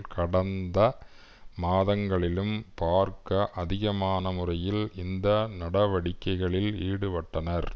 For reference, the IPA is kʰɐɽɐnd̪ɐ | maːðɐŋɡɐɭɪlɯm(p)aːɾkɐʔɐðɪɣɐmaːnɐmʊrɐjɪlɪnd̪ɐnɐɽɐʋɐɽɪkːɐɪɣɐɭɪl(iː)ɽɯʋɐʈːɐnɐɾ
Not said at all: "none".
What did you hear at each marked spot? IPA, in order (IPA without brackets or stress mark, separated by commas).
p, iː